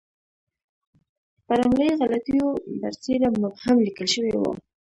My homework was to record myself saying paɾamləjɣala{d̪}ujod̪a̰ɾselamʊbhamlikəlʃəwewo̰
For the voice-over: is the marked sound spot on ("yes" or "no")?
no